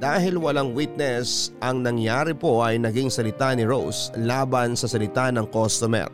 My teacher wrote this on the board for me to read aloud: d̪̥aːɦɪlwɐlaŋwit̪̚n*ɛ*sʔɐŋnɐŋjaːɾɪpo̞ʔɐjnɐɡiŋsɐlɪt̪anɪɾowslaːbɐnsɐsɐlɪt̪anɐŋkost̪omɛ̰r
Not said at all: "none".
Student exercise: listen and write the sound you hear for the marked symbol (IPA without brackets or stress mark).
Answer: ɛ